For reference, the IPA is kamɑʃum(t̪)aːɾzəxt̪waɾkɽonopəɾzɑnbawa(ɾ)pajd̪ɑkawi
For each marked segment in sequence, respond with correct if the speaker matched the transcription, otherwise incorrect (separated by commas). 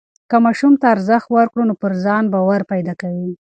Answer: correct, correct